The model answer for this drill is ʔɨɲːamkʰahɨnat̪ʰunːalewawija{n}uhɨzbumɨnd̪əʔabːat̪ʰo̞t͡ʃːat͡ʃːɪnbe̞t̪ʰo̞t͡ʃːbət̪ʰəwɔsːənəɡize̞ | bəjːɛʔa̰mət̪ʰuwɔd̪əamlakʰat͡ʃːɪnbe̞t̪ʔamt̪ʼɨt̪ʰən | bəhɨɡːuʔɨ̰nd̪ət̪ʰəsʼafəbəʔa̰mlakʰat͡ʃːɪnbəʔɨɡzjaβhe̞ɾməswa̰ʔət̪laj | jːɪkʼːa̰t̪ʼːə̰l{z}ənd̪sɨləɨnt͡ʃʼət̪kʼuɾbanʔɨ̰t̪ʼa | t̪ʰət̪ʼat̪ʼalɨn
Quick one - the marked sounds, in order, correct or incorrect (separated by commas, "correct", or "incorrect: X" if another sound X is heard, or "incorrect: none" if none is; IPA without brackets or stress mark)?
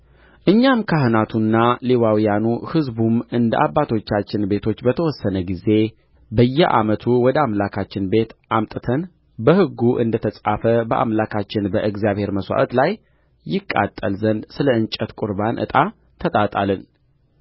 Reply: correct, correct